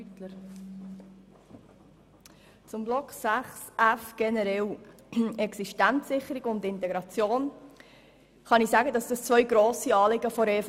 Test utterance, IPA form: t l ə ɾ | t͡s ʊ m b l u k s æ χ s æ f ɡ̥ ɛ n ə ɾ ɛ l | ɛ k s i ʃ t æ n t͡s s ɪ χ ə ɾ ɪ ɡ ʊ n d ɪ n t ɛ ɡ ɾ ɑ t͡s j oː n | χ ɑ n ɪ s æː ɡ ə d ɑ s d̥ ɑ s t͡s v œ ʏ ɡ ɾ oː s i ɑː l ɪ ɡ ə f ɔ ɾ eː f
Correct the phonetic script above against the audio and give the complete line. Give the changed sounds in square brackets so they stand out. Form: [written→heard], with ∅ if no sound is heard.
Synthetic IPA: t l ə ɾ | t͡s ʊ m b l [u→ɔ] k s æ χ s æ f ɡ̥ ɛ n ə ɾ ɛ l | ɛ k s i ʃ t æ n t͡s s ɪ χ ə ɾ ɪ ɡ ʊ n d ɪ n t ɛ ɡ ɾ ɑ t͡s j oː n | χ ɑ n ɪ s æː ɡ ə d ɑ s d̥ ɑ s t͡s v œ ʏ ɡ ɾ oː s i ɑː l ɪ ɡ ə f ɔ ɾ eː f